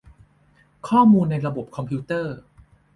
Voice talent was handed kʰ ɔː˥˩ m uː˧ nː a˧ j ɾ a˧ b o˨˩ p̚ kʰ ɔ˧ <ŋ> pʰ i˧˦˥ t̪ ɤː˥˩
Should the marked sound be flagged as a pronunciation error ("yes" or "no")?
yes